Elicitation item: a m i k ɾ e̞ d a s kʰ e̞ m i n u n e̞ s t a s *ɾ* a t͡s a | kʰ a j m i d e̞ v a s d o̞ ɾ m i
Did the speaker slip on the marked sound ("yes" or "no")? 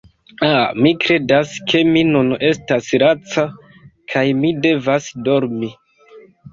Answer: no